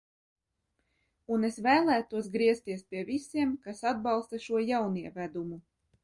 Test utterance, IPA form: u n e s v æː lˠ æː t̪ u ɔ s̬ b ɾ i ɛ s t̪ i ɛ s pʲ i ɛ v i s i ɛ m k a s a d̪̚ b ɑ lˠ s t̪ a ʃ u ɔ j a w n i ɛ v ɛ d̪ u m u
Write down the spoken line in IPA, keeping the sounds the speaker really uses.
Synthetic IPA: u n e s v æː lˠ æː t̪ u ɔ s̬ ɡ ɾ i ɛ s t̪ i ɛ s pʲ i ɛ v i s i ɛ m k a s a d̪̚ b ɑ lˠ s t̪ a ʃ u ɔ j a w n i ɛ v æ d̪ u m u